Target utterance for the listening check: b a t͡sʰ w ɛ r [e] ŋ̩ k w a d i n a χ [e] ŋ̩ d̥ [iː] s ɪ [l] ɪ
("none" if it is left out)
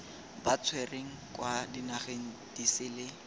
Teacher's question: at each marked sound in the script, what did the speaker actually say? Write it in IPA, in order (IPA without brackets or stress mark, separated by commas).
e, e, i, l